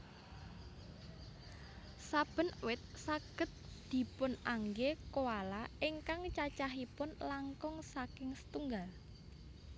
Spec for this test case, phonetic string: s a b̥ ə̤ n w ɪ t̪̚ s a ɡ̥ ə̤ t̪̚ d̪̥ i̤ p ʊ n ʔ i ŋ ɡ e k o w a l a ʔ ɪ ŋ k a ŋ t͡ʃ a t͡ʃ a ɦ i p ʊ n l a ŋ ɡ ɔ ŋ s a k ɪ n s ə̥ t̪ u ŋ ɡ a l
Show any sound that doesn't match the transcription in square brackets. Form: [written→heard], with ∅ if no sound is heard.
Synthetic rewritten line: s a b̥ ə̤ n w ɪ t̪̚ s a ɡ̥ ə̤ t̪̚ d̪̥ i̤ p ʊ n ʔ [i→a] ŋ ɡ e k o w a l a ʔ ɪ ŋ k a ŋ t͡ʃ a t͡ʃ a ɦ i p ʊ n l a ŋ [ɡ→k] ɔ ŋ s a k ɪ [n→ŋ] s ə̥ t̪ u ŋ ɡ a l